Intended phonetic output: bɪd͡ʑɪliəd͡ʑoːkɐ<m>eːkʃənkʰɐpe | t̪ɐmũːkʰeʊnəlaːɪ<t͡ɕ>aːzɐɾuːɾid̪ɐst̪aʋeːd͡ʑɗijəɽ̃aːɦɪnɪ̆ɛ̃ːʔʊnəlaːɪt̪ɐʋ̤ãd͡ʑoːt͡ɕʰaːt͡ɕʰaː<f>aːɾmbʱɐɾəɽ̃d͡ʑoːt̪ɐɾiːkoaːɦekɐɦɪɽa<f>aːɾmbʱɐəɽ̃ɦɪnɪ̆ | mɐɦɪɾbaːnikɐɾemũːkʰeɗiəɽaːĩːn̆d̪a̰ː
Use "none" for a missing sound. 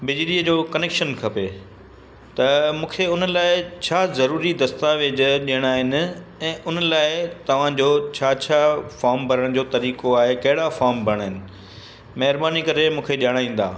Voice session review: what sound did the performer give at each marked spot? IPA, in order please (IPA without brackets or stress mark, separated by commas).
n, t͡ɕʰ, f, f